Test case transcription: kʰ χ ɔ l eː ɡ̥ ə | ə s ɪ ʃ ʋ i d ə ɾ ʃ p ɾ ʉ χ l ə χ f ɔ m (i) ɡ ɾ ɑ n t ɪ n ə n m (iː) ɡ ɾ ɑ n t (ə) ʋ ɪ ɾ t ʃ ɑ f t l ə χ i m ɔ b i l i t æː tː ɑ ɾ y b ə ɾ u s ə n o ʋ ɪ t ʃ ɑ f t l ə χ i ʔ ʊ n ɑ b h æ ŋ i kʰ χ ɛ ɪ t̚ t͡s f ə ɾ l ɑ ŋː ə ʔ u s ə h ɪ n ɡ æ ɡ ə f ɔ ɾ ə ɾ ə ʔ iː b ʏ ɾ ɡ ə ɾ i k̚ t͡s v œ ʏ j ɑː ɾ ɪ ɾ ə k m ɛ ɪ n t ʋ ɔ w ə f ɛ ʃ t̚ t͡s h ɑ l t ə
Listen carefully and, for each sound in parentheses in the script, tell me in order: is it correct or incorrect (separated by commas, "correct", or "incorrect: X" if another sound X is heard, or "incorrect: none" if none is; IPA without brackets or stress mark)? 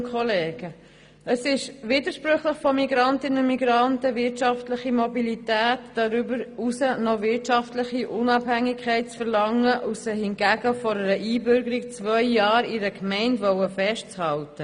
correct, incorrect: i, correct